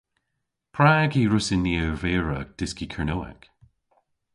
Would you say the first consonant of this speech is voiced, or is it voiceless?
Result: voiceless